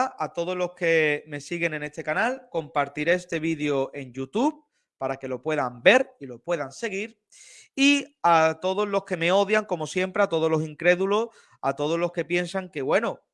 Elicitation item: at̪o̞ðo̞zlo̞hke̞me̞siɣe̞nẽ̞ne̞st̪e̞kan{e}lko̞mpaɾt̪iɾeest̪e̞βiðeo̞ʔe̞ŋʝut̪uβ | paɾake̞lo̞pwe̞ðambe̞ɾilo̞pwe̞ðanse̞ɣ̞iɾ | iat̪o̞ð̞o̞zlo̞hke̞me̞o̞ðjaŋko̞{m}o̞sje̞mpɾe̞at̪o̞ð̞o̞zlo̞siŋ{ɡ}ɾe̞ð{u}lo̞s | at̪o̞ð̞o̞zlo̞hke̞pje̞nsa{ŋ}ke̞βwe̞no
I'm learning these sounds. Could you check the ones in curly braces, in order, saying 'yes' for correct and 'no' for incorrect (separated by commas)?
no, yes, no, yes, yes